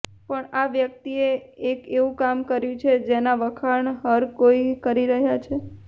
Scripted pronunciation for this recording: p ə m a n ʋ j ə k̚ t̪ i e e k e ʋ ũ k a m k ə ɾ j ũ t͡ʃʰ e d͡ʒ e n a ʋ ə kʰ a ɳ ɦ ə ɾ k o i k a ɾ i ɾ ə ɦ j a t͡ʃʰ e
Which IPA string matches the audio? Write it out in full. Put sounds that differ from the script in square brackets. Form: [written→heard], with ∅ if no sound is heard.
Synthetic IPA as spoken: p ə [m→ɳ] a [n→∅] ʋ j ə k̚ t̪ i e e k e ʋ ũ k a m k ə ɾ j ũ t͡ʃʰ e d͡ʒ e n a ʋ ə kʰ a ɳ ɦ ə ɾ k o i k [a→ə] ɾ i ɾ ə ɦ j a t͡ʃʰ e